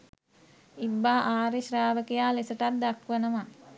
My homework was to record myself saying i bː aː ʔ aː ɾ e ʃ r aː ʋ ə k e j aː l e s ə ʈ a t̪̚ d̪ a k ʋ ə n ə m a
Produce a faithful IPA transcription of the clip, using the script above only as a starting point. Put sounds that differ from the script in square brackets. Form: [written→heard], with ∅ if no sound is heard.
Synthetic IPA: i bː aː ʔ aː ɾ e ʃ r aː ʋ ə k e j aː l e s ə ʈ a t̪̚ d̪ a k ʋ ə n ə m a